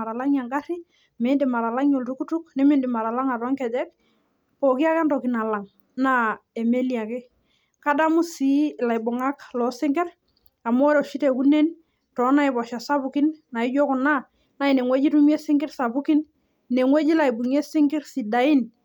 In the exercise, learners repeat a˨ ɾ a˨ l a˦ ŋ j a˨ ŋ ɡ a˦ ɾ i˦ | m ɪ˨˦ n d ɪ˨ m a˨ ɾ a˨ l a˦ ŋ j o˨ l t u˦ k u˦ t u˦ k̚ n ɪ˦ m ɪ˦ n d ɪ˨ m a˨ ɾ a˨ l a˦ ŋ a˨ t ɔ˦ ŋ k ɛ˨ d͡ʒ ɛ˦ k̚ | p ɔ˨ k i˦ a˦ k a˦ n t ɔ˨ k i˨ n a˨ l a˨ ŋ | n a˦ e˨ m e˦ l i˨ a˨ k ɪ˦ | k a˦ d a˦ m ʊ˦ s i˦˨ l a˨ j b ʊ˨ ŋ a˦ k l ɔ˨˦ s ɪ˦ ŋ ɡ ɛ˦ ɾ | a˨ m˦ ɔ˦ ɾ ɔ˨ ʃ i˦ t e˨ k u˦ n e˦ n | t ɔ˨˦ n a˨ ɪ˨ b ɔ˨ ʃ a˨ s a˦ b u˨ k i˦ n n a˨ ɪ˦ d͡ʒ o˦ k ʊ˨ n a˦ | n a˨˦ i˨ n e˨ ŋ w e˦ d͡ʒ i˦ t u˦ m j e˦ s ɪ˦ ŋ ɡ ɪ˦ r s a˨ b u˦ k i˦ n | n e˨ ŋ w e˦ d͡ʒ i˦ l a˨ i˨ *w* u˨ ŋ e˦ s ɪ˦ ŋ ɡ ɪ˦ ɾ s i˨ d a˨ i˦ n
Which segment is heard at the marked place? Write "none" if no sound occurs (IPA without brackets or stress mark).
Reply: b